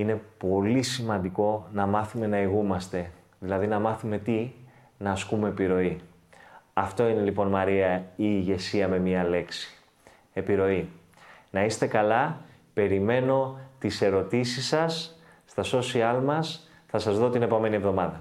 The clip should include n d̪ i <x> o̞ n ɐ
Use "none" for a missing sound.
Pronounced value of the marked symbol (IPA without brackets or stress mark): k